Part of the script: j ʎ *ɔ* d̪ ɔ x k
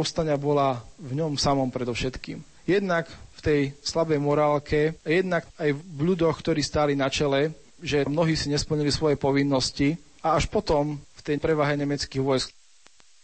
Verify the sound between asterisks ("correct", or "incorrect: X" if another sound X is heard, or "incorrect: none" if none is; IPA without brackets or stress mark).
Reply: incorrect: u